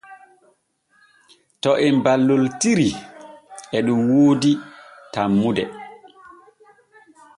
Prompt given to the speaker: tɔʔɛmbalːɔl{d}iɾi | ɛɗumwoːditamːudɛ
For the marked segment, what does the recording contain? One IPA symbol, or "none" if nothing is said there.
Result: t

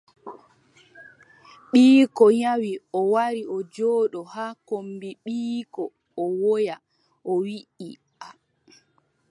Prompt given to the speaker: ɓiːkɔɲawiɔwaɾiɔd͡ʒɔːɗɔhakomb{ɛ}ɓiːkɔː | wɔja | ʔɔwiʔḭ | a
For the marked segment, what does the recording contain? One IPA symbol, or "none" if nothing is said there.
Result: i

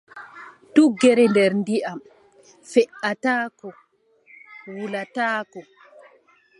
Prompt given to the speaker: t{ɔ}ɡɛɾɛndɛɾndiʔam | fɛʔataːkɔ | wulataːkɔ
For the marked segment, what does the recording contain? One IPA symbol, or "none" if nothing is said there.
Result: u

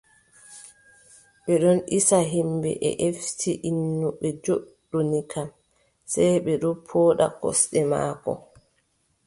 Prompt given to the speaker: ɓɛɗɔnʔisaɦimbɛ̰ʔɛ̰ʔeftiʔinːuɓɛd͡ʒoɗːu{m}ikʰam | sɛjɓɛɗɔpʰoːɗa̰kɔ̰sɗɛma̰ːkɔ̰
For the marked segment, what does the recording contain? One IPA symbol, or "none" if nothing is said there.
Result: n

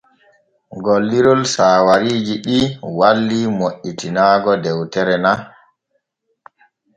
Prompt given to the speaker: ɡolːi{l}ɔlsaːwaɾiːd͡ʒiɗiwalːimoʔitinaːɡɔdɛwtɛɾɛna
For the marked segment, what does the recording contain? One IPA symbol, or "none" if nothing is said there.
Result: ɾ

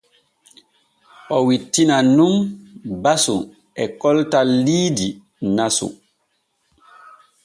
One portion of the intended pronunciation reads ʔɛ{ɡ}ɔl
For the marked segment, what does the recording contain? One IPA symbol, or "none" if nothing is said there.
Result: k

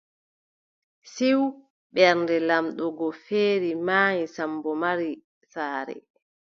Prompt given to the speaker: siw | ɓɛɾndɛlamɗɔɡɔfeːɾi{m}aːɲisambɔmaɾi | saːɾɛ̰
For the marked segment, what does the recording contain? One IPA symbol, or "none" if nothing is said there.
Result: m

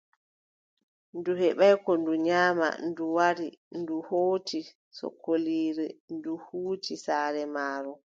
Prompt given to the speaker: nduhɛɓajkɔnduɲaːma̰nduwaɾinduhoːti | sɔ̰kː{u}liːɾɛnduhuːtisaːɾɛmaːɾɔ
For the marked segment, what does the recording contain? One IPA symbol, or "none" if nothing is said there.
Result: o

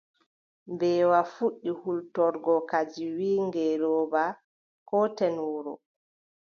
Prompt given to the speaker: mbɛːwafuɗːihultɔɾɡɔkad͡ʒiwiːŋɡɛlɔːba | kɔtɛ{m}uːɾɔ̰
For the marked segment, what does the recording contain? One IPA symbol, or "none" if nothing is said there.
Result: n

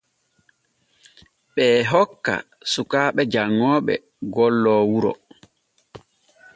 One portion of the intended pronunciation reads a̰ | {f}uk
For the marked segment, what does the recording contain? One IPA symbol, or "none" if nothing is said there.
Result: s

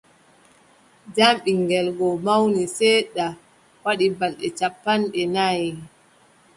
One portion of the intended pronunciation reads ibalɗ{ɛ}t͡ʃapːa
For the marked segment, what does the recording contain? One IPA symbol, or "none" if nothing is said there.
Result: ɛ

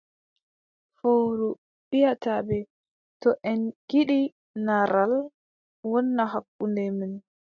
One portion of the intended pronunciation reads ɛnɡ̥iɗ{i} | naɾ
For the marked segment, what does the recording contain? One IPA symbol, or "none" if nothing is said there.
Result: i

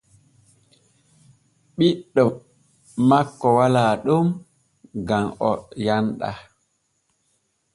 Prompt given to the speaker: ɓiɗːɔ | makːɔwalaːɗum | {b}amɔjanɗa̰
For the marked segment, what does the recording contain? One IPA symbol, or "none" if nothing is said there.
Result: ɡ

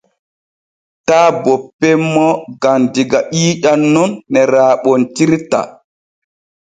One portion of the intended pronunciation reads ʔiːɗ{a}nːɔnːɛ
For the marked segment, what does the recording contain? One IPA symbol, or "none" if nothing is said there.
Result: a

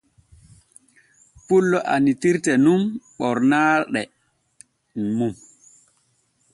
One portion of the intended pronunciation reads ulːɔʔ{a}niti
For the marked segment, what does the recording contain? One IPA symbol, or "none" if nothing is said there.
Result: a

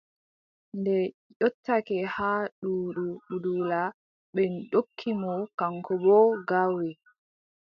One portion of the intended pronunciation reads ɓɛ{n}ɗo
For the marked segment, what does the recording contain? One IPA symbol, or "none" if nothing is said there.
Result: n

